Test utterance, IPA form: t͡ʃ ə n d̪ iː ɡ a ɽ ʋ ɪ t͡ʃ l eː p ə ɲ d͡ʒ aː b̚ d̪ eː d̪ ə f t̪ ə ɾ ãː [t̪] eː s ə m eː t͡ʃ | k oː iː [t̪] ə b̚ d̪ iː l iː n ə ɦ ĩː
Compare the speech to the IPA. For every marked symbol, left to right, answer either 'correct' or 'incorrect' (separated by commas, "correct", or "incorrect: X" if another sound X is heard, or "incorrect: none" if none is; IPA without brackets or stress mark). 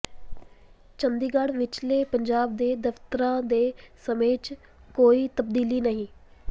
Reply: incorrect: d̪, correct